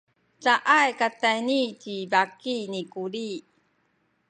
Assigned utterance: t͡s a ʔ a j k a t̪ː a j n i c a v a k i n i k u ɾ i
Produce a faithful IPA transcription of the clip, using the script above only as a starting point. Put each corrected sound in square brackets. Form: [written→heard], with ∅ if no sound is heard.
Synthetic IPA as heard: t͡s a ʔ a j k a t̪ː a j n i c [a→i] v a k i n i k u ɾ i